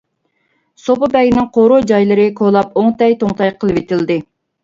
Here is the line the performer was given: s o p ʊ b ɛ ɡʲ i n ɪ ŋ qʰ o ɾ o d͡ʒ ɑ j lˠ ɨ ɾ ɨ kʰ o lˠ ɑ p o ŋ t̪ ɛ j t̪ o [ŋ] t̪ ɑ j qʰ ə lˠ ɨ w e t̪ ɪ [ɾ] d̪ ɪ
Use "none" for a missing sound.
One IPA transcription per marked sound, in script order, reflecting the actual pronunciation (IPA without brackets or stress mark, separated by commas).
ŋ, l